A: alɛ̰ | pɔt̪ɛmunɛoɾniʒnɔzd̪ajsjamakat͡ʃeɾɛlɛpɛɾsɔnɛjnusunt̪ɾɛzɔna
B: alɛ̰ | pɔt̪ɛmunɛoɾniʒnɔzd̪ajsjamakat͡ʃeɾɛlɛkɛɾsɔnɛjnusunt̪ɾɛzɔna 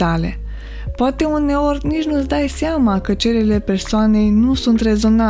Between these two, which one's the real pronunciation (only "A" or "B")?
A